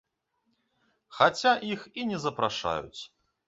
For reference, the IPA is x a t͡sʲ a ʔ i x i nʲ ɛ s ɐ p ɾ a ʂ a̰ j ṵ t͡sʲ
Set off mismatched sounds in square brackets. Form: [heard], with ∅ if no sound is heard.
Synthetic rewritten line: x a t͡sʲ a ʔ i x i nʲ ɛ [z] ɐ p ɾ a ʂ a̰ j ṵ t͡sʲ